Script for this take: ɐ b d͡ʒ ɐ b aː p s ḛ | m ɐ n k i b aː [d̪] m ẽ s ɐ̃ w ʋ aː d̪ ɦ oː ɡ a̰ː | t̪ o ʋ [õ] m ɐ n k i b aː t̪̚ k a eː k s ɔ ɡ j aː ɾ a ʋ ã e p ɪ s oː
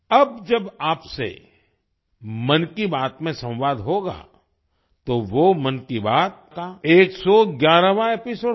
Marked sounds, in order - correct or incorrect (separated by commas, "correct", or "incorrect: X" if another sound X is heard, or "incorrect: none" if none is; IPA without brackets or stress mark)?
incorrect: t̪, incorrect: o